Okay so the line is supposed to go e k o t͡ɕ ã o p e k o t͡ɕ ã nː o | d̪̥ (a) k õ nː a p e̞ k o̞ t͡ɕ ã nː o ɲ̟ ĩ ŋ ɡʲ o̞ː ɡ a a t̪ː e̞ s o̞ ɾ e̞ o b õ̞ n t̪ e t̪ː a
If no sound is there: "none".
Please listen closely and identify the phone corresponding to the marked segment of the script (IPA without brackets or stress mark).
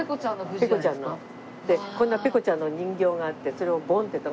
e